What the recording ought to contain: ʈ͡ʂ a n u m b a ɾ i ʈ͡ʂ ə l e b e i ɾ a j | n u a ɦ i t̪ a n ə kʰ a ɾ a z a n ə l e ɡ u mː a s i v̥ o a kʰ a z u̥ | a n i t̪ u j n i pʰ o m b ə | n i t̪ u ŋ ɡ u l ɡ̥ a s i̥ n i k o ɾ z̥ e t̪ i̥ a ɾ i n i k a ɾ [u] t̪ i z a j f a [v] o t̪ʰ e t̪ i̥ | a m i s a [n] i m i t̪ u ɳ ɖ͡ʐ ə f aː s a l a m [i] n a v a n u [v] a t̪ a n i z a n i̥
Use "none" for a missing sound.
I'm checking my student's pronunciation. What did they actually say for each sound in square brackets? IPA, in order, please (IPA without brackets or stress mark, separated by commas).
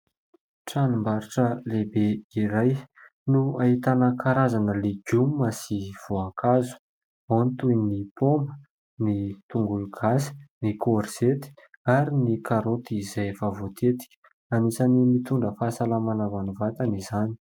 o, v, n, a, v